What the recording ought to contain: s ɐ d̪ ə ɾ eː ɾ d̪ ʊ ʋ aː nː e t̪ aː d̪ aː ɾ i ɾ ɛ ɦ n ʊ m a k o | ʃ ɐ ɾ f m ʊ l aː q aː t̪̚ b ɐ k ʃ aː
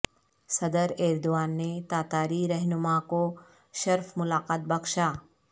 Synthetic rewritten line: s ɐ d̪ ə ɾ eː ɾ d̪ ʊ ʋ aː nː e t̪ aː t̪ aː ɾ i ɾ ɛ ɦ n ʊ m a k o | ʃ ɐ ɾ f m ʊ l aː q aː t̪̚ b ɐ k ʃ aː